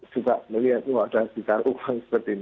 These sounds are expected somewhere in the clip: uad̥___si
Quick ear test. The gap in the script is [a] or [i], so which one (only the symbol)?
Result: a